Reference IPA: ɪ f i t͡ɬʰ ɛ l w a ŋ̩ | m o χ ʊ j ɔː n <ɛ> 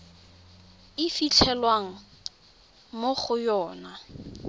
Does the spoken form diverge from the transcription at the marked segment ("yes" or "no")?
yes